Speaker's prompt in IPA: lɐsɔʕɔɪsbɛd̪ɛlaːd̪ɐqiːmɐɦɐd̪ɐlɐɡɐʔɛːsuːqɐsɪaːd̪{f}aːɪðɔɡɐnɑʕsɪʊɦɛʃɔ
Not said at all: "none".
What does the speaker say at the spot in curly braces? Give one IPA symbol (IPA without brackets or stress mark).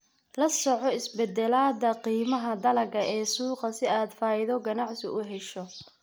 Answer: f